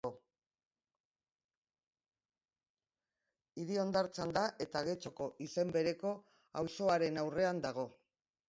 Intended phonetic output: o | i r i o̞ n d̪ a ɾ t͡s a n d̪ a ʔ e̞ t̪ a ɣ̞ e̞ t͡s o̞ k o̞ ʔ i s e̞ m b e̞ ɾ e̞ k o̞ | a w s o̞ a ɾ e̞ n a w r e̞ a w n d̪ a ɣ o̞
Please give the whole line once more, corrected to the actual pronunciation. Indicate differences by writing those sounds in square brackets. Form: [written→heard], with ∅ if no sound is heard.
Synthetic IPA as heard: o | i [r→ɾ] i o̞ n d̪ a ɾ t͡s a n d̪ a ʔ e̞ t̪ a ɣ̞ e̞ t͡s o̞ k o̞ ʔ i s e̞ m b e̞ ɾ e̞ k o̞ | a w s o̞ a ɾ e̞ n a w r e̞ a [w→∅] n d̪ a ɣ o̞